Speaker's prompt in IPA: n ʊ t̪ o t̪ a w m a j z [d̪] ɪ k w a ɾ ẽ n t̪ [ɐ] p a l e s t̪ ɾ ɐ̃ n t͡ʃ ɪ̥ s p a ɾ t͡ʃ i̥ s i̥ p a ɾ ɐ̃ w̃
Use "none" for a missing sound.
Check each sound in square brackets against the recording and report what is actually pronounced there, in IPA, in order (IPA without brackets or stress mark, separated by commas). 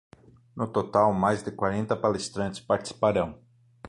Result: d̪, ɐ